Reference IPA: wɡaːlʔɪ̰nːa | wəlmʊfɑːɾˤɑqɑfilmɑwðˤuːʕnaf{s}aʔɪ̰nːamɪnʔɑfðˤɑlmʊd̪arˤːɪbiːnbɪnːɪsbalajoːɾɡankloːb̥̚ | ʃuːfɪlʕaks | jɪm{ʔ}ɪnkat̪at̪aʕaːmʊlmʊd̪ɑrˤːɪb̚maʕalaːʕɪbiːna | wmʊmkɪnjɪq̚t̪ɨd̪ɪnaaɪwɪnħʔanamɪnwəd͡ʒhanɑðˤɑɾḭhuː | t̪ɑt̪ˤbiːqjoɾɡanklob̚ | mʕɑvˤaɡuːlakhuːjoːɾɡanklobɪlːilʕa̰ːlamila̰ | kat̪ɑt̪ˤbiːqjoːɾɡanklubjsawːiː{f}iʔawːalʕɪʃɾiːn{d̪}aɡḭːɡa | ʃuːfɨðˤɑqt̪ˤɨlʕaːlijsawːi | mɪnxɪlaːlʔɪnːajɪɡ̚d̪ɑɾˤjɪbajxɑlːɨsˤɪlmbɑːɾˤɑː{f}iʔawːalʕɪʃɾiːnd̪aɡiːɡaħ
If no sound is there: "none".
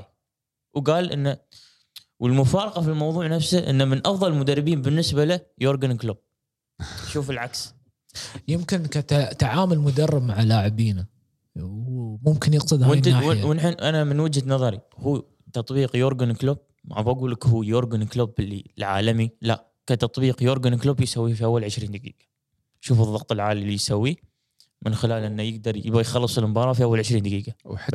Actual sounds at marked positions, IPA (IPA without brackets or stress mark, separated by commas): s, k, f, d̪, f